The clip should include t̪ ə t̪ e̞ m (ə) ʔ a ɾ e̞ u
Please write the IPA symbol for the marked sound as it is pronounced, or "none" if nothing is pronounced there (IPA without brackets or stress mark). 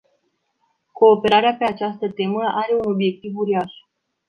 ə